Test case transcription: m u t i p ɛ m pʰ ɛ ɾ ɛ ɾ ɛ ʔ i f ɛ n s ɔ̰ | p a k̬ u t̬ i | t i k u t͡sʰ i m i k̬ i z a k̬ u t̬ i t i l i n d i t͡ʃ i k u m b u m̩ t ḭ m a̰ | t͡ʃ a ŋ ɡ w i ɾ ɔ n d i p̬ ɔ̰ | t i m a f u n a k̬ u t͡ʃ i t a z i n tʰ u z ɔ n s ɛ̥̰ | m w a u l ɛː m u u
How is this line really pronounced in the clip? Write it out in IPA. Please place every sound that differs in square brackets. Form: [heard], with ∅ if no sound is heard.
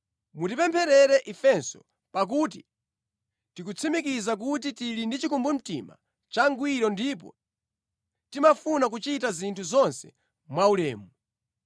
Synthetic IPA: m u t i p ɛ m pʰ ɛ ɾ ɛ ɾ ɛ ʔ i f ɛ n s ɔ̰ | p a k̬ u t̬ i | t i k u t͡sʰ i m i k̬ i z a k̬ u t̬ i t i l i n d i t͡ʃ i k u m b u m̩ t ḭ m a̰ | t͡ʃ a ŋ ɡ w i ɾ ɔ n d i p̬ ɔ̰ | t i m a f u n a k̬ u t͡ʃ i t a z i n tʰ u z ɔ n s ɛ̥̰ | m w a u l ɛː m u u

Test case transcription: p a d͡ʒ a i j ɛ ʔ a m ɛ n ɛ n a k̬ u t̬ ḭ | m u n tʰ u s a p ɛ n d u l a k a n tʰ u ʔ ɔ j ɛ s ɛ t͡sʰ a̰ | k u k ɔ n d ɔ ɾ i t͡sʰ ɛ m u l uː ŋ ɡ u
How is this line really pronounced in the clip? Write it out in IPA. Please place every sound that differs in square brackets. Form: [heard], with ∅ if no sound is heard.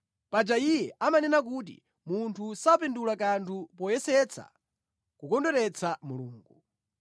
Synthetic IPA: p a d͡ʒ a i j ɛ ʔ a m [a] n ɛ n a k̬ u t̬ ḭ | m u n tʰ u s a p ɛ n d u l a k a n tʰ u [p] ɔ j ɛ s ɛ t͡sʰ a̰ | k u k ɔ n d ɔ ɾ [ɛ] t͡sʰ [a] m u l uː ŋ ɡ u

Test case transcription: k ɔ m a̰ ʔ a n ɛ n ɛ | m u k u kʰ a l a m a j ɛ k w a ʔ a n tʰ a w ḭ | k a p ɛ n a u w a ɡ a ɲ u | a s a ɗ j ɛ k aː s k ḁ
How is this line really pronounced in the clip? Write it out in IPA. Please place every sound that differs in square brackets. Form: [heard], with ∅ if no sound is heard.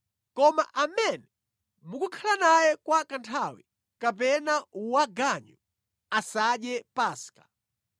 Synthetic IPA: k ɔ m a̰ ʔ a [m] ɛ n ɛ | m u k u kʰ a l a [n] a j ɛ k w a [k] a n tʰ a w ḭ | k a p ɛ n a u w a ɡ a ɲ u | a s a ɗ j ɛ [p] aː s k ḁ

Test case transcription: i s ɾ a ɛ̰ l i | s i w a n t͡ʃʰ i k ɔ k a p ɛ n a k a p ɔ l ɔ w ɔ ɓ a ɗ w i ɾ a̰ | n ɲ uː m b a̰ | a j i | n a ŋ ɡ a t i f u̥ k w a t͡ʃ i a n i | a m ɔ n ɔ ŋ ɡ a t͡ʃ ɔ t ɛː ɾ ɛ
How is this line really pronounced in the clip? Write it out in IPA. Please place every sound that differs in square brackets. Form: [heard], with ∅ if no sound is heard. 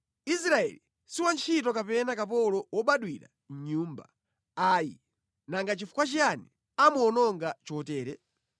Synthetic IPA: i s ɾ a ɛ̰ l i | s i w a n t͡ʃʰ i [t] ɔ k a p ɛ n a k a p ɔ l ɔ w ɔ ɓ a ɗ w i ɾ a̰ | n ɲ uː m b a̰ | a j i | n a ŋ ɡ a [t͡ʃ] i f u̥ k w a t͡ʃ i a n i | a m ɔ n ɔ ŋ ɡ a t͡ʃ ɔ t ɛː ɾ ɛ

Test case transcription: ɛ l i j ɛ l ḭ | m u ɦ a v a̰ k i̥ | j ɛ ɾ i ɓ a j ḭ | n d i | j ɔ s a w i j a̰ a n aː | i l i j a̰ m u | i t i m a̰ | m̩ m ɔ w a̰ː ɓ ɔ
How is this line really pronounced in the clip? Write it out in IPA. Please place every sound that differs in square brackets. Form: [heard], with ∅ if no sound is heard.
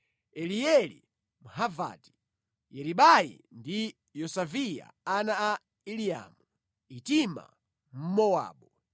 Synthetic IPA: ɛ l i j ɛ l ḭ | m u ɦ a v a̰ [t] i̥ | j ɛ ɾ i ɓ a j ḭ | n d i | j ɔ s a [v] i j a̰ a n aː | i l i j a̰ m u | i t i m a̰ | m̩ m ɔ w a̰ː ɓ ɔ

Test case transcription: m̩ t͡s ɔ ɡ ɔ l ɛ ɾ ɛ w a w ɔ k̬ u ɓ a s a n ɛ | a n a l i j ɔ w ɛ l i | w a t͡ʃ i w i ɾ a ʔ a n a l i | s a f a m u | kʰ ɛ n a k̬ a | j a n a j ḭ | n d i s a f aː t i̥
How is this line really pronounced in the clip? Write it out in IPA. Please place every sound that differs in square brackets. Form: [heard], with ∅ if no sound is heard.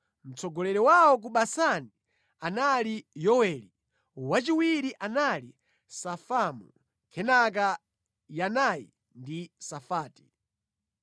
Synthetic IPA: m̩ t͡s ɔ ɡ ɔ l ɛ ɾ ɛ w a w ɔ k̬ u ɓ a s a n [i] | a n a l i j ɔ w ɛ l i | w a t͡ʃ i w i ɾ [i] ʔ a n a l i | s a f a m u | kʰ ɛ n a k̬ a | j a n a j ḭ | n d i s a f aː t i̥

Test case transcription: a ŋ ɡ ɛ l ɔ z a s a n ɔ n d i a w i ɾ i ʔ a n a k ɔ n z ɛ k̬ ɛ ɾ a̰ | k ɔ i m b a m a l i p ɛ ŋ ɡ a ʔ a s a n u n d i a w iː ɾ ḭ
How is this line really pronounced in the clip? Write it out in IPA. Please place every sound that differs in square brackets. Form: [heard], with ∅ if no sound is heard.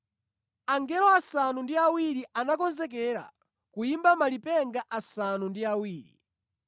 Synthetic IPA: a ŋ ɡ ɛ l ɔ [∅] a s a n [u] n d i a w i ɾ i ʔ a n a k ɔ n z ɛ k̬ ɛ ɾ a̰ | k [u] i m b a m a l i p ɛ ŋ ɡ a ʔ a s a n u n d i a w iː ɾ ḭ

